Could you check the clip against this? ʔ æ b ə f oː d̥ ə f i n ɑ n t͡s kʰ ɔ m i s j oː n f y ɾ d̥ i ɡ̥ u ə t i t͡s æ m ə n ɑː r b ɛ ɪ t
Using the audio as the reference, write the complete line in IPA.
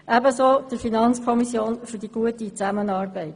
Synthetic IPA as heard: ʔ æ b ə s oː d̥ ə f i n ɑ n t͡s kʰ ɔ m i s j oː n f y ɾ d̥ i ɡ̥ u ə t i t͡s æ m ə n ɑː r b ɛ ɪ t